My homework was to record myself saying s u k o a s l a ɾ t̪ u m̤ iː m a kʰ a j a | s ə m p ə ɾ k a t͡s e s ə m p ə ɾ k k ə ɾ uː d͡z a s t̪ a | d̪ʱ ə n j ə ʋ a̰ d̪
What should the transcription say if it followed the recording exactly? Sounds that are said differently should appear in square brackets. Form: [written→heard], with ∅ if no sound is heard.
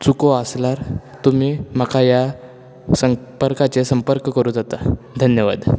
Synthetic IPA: [s→t͡s] u k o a s l a ɾ t̪ u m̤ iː m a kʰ a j a | s ə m p ə ɾ k a t͡s e s ə m p ə ɾ k k ə ɾ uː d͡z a [s→∅] t̪ a | d̪ʱ ə n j ə ʋ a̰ d̪